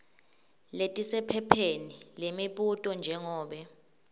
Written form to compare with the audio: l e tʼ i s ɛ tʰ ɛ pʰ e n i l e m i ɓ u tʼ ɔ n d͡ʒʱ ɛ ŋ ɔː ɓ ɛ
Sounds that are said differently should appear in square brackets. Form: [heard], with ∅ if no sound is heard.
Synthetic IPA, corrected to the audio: l e tʼ i s ɛ [pʰ] ɛ pʰ e n i l e m i ɓ u tʼ ɔ n d͡ʒʱ ɛ ŋ ɔː ɓ ɛ